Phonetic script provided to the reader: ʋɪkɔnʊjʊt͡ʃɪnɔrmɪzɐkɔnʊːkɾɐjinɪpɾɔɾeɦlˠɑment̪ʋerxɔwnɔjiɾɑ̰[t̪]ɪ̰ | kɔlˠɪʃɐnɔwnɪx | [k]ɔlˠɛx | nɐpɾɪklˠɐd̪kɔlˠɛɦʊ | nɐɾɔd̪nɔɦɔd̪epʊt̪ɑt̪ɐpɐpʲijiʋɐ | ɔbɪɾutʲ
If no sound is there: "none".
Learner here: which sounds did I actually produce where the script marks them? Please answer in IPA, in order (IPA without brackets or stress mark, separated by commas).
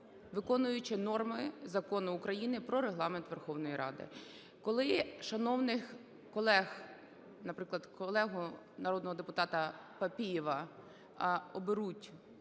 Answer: d̪, k